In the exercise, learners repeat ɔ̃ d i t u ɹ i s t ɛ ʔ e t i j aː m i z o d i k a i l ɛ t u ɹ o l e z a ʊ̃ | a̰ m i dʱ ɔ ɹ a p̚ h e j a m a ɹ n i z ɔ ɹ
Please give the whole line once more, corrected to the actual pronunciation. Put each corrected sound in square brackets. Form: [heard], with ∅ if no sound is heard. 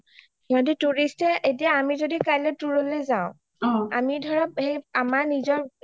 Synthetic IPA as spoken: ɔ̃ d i t u ɹ i s t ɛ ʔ e t i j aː m i z o d i k a [j] l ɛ t u ɹ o l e z a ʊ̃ | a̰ m i dʱ ɔ ɹ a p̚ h e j a m a ɹ n i z ɔ ɹ